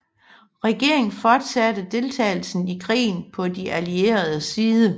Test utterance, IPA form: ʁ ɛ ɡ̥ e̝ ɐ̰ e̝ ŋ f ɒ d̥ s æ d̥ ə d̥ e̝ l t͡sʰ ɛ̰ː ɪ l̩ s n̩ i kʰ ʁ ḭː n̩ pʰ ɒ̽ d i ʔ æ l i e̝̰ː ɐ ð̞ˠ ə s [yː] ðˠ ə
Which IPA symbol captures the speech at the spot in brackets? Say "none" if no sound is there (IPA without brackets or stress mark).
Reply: iː